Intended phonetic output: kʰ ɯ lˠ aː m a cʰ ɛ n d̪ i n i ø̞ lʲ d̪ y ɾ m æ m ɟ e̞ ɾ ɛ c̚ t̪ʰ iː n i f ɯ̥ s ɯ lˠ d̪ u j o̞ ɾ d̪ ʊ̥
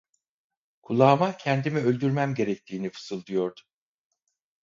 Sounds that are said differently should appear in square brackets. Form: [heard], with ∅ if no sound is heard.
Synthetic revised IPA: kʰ [u] lˠ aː m a cʰ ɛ n d̪ i [m] i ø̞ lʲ d̪ y ɾ m æ m ɟ e̞ ɾ ɛ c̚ t̪ʰ iː n i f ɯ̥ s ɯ lˠ d̪ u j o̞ ɾ d̪ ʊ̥